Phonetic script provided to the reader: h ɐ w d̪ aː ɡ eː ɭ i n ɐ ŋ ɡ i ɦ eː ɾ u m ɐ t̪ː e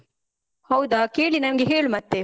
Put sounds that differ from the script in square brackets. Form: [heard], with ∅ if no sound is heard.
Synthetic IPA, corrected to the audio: h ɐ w d̪ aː [k] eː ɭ i n ɐ [m] ɡ [e] ɦ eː [ɭ] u m ɐ t̪ː e